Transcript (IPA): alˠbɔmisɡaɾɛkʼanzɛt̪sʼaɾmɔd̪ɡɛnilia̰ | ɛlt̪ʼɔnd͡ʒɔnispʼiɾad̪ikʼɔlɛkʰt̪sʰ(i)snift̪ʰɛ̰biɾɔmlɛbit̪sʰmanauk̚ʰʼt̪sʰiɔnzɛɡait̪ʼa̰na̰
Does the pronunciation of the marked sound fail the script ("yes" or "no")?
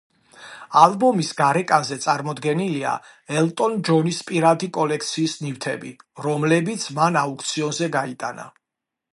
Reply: yes